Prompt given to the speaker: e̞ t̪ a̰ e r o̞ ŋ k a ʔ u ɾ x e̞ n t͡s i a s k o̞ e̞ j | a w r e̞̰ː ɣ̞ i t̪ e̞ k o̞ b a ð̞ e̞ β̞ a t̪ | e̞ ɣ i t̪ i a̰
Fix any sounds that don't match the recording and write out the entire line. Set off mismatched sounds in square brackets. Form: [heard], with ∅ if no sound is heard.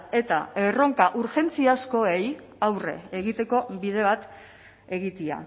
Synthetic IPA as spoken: e̞ t̪ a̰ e r o̞ ŋ k a ʔ u ɾ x e̞ n t͡s i a s k o̞ e̞ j | a w r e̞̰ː ɣ̞ i t̪ e̞ k o̞ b [i] ð̞ e̞ β̞ a t̪ | e̞ ɣ i t̪ i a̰

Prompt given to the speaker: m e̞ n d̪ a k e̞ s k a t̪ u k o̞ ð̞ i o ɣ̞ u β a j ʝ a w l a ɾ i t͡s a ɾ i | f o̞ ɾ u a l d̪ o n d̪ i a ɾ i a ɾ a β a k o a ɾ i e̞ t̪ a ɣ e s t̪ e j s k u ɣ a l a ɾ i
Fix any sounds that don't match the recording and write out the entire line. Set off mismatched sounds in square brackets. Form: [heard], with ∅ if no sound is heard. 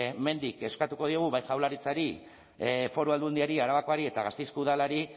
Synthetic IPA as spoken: m e̞ n d̪ [i] k e̞ s k a t̪ u k o̞ ð̞ i o ɣ̞ u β a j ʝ a w l a ɾ i t͡s a ɾ i | f o̞ ɾ u a l d̪ [u] n d̪ i a ɾ i a ɾ a β a k o a ɾ i e̞ t̪ a ɣ [a] s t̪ e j s k u [ð] a l a ɾ i

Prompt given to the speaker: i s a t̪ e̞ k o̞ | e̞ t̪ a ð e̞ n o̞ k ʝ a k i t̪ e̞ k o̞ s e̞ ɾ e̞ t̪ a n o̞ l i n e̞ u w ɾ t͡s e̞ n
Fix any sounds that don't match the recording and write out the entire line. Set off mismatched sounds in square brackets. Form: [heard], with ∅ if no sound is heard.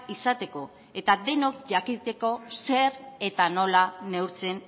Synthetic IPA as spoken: i s a t̪ e̞ k o̞ | e̞ t̪ a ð e̞ n o̞ k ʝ a k i t̪ e̞ k o̞ s e̞ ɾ e̞ t̪ a n o̞ l [a] n e̞ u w ɾ t͡s e̞ n

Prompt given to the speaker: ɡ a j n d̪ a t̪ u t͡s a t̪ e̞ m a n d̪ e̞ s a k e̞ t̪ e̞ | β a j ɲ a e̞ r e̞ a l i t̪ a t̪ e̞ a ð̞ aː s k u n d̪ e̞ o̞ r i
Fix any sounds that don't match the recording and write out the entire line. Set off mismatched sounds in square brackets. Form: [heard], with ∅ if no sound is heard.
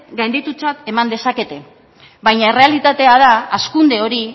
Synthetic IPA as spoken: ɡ a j n d̪ [i] t̪ u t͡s a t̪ e̞ m a n d̪ e̞ s a k e̞ t̪ e̞ | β a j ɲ a e̞ r e̞ a l i t̪ a t̪ e̞ a ð̞ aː s k u n d̪ e̞ o̞ [ɾ] i

